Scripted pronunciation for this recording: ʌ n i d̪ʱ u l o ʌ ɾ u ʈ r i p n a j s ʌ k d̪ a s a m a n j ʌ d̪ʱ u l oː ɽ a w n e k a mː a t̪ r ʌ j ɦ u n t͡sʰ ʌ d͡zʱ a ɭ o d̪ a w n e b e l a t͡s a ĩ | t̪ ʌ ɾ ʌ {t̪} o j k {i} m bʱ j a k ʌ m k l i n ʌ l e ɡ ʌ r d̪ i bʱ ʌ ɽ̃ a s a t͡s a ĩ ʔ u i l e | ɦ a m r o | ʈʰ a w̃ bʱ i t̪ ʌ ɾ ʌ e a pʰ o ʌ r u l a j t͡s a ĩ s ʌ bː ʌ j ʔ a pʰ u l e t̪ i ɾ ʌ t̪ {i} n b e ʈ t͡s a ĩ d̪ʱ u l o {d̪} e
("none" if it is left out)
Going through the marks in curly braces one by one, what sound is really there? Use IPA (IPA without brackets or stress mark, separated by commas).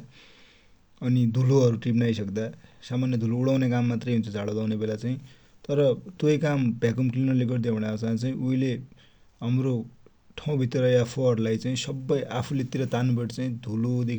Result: t̪, a, a, d̪